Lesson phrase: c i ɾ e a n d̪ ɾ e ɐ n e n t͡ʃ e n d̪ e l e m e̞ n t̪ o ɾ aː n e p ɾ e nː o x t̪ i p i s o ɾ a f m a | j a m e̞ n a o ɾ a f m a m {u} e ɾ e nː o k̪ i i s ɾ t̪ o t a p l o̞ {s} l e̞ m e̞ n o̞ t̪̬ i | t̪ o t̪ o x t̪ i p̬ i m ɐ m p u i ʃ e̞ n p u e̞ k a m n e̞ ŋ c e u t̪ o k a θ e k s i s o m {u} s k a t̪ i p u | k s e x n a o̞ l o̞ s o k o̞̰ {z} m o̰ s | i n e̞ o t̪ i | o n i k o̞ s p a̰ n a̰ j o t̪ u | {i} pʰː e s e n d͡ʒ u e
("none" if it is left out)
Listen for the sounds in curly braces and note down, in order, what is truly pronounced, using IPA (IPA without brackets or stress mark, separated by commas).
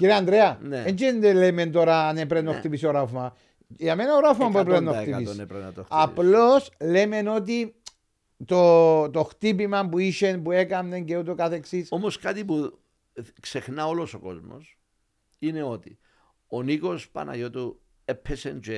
u, s, o, z, e